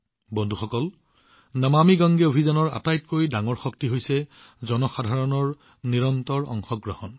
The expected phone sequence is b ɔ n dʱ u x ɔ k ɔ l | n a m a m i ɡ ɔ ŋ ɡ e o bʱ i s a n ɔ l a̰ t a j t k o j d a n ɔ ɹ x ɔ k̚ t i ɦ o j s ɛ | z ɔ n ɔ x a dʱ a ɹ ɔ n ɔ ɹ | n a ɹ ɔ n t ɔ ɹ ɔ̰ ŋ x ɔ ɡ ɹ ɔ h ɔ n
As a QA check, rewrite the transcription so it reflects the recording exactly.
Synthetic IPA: b ɔ n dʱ u x ɔ k ɔ l | n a m a m i ɡ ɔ ŋ ɡ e o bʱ i z a n ɔ ɹ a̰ t a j t k o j d a ŋ ɔ ɹ x ɔ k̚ t i ɦ o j s ɛ | z ɔ n ɔ x a dʱ a ɹ ɔ n ɔ ɹ | n i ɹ ɔ n t ɔ ɹ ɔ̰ ŋ x ɔ ɡ ɹ ɔ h ɔ n

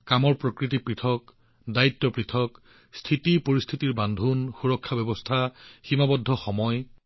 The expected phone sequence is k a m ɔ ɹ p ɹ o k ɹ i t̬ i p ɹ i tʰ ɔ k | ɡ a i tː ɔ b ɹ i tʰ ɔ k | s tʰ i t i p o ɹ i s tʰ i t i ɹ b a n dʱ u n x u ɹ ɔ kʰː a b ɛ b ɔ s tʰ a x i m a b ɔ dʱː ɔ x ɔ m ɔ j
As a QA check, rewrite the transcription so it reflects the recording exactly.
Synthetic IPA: k a m ɔ ɹ p ɹ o k ɹ i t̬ i p ɹ i tʰ ɔ k | d a i tː ɔ p ɹ i tʰ ɔ k | s tʰ i t i p o ɹ i s tʰ i t i ɹ b a n dʱ u n x u ɹ ɔ kʰː a b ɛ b ɔ s tʰ a x i m a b ɔ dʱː ɔ x ɔ m ɔ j

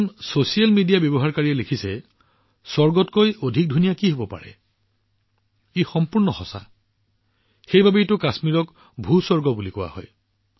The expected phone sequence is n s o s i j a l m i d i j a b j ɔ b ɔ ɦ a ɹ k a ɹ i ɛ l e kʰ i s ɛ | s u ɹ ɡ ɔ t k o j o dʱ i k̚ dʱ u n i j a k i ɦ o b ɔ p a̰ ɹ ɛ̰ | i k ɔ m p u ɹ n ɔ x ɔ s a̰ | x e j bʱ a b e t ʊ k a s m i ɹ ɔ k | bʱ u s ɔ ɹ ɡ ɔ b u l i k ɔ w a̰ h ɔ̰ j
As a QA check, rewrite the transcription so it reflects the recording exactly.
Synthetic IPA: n s o s i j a l m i d i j a b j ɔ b ɔ ɦ a ɹ k a ɹ i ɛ l e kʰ i s ɛ | s ɔ ɹ ɡ ɔ t k o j o dʱ i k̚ dʱ u n i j a k i ɦ o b ɔ p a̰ ɹ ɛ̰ | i x ɔ m p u ɹ n ɔ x ɔ s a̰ | x e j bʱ a b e t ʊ k a s m i ɹ ɔ k | bʱ u s ɔ ɹ ɡ ɔ b u l i k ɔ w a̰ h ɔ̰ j

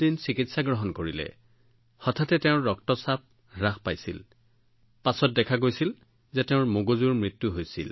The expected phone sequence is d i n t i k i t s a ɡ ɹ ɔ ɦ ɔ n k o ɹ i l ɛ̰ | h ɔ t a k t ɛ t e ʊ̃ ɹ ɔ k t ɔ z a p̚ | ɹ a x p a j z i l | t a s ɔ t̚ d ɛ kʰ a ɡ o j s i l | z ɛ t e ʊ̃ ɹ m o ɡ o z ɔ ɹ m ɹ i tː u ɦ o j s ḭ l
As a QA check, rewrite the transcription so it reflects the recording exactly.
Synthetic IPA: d i n s i k i t s a ɡ ɹ ɔ ɦ ɔ n k o ɹ i l ɛ̰ | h ɔ tʰ a t ɛ t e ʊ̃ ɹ ɔ k t ɔ s a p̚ | ɹ a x p a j s i l | p a s ɔ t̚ d ɛ kʰ a ɡ o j s i l | z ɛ t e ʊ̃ ɹ m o ɡ o z u ɹ m ɹ i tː u ɦ o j s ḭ l

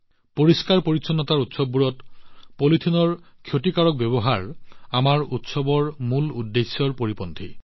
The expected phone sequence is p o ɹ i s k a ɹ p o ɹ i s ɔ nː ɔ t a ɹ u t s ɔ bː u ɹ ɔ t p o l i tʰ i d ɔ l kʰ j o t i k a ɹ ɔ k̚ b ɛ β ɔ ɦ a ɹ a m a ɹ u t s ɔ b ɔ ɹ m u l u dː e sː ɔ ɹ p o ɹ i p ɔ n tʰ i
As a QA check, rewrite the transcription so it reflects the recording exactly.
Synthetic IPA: p o ɹ i s k a ɹ p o ɹ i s ɔ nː ɔ t a ɹ u t s ɔ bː u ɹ ɔ t p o l i tʰ i n ɔ ɹ kʰ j o t i k a ɹ ɔ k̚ b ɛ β ɔ ɦ a ɹ a m a ɹ u t s ɔ b ɔ ɹ m u l u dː e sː ɔ ɹ p o ɹ i p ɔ n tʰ i

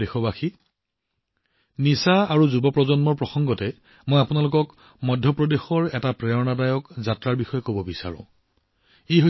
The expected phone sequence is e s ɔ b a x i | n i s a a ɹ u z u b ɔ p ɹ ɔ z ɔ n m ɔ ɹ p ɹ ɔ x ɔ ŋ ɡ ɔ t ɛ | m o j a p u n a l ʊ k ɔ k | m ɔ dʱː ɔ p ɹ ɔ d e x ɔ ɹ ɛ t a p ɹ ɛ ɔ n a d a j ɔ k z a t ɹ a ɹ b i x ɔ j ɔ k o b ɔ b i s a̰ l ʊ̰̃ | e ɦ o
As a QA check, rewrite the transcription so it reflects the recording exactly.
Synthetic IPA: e x ɔ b a x i | n i s a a ɹ u z u b ɔ p ɹ ɔ z ɔ n m ɔ ɹ p ɹ ɔ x ɔ ŋ ɡ ɔ t ɛ | m o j a p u n a l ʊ k ɔ k | m ɔ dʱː ɔ p ɹ ɔ d e x ɔ ɹ ɛ t a p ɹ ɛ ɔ n a d a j ɔ k z a t ɹ a ɹ b i x ɔ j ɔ k o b ɔ b i s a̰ ɹ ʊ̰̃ | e ɦ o

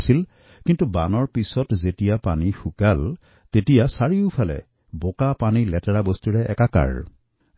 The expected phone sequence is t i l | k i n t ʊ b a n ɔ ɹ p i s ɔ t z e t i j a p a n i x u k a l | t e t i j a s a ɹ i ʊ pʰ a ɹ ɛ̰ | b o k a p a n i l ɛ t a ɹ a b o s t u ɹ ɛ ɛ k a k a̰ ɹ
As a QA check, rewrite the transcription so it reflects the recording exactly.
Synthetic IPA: s i l | k i n t u b a n ɔ ɹ p i s ɔ t z e t i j a p a n i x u k a l | t e t i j a s a ɹ i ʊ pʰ a l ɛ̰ | b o k a p a n i l ɛ t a ɹ a b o s t u ɹ ɛ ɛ k a k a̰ ɹ

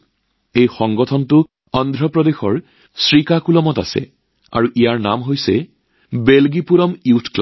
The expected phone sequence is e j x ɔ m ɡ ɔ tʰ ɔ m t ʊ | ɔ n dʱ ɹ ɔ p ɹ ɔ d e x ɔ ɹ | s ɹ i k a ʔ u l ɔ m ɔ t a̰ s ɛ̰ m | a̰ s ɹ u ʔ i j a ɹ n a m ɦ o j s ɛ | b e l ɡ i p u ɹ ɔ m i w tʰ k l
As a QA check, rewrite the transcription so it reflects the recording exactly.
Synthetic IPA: e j x ɔ ŋ ɡ ɔ tʰ ɔ n t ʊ | ɔ n dʱ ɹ ɔ p ɹ ɔ d e x ɔ ɹ | s ɹ i k a k u l ɔ m ɔ t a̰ s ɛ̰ | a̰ ɹ u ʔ i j a ɹ n a m ɦ o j s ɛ | b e l ɡ i p u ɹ ɔ m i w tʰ k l

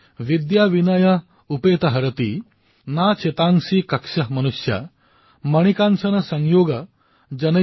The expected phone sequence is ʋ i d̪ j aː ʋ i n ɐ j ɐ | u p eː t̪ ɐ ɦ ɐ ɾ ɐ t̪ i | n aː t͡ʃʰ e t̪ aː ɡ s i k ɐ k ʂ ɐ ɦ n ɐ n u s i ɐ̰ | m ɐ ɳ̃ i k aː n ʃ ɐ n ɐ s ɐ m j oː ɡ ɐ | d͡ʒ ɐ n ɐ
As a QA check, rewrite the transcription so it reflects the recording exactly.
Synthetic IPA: ʋ i d̪ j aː ʋ i n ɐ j ɐ | u p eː t̪ ɐ ɦ ɐ ɾ ɐ t̪ i | n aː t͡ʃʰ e t̪ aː ŋ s i k ɐ k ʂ ɐ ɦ m ɐ n u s j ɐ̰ | m ɐ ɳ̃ i k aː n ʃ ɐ n ɐ s ɐ ŋ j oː ɡ ɐ | d͡ʒ ɐ n ɐ

